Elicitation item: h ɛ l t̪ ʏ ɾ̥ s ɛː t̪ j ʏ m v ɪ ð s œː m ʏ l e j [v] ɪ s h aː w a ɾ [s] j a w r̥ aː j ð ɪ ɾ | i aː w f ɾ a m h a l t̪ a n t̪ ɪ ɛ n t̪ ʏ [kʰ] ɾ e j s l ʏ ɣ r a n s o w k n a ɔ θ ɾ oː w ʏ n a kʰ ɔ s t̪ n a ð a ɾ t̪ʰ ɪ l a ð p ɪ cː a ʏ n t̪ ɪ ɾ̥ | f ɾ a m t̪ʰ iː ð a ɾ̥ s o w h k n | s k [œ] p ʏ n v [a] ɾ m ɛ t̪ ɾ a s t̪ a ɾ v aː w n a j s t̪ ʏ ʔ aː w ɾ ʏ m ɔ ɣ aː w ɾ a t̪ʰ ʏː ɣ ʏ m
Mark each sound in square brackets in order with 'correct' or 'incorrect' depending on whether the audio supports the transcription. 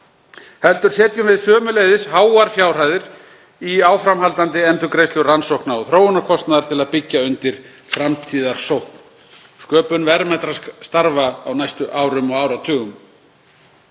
incorrect: ð, incorrect: f, incorrect: k, incorrect: œː, incorrect: ɛ

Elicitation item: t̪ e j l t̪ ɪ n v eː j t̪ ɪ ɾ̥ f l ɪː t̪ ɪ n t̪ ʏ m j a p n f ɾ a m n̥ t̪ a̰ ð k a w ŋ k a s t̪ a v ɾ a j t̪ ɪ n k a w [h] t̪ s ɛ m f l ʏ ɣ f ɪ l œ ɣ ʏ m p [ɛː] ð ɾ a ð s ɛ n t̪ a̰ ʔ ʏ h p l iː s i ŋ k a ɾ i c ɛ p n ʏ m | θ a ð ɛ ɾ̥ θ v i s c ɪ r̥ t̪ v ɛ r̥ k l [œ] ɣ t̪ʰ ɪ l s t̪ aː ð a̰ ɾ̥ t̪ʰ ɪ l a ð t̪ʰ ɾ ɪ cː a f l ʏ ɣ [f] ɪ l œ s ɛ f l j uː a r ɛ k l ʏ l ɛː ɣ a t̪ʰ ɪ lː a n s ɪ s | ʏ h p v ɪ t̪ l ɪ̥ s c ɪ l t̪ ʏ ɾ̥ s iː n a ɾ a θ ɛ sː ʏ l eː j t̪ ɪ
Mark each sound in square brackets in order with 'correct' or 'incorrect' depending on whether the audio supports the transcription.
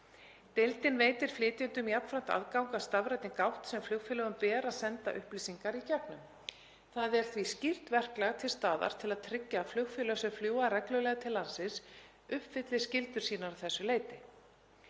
correct, correct, incorrect: ɛ, correct

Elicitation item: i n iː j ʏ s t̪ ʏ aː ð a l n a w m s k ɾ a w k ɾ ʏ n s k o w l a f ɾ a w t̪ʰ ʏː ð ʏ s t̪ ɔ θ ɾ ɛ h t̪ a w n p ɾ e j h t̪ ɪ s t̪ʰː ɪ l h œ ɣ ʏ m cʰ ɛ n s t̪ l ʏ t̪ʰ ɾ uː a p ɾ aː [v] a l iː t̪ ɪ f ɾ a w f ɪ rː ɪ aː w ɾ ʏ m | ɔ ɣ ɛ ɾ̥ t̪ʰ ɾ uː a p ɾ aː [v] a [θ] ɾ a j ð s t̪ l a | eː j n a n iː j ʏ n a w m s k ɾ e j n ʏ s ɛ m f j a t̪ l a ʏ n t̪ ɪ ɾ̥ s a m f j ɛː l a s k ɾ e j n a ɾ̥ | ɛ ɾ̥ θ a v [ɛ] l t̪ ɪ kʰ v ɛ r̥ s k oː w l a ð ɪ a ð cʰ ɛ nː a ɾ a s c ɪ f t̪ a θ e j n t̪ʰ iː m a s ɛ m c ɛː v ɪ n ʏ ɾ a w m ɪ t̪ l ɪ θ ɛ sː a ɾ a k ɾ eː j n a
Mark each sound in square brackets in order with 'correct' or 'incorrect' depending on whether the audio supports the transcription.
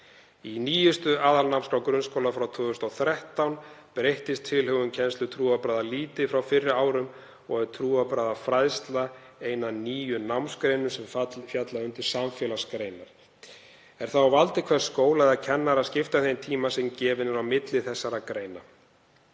incorrect: ð, incorrect: ð, incorrect: f, incorrect: a

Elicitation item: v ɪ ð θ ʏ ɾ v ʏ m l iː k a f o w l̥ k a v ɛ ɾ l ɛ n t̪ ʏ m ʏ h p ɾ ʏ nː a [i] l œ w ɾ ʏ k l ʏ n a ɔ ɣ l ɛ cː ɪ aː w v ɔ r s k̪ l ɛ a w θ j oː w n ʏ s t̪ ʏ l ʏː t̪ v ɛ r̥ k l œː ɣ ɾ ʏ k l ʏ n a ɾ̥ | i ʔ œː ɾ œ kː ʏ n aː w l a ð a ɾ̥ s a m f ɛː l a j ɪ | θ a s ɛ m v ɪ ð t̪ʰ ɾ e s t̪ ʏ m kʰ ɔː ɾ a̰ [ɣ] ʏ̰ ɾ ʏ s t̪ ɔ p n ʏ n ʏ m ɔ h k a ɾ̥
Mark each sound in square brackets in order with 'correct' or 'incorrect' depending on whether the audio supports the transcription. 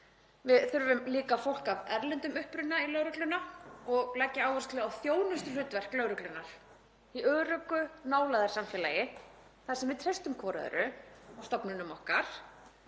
correct, incorrect: ð

